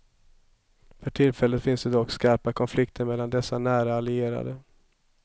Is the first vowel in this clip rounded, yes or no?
yes